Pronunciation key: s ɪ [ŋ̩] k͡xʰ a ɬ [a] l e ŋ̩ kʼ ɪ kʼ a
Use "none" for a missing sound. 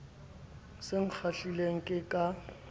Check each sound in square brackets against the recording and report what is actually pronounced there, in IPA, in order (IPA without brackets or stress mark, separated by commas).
ŋ̩, i